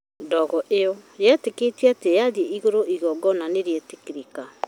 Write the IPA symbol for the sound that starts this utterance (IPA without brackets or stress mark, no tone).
d